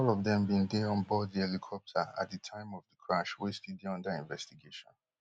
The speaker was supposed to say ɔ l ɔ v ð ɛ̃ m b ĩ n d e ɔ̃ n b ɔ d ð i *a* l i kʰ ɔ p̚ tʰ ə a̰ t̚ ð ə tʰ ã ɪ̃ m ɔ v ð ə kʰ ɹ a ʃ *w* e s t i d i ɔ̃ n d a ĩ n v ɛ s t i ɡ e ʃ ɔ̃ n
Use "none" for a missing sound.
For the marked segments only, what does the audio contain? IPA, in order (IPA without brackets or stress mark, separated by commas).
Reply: ɛ, w